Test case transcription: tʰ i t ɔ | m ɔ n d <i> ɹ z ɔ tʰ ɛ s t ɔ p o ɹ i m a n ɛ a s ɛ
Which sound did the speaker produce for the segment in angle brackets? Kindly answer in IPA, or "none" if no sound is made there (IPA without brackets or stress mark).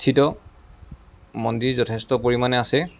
i